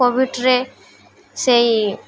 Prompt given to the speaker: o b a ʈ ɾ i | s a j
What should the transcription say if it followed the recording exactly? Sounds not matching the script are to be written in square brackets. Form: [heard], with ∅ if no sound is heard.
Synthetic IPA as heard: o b [i] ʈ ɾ [e] | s [e] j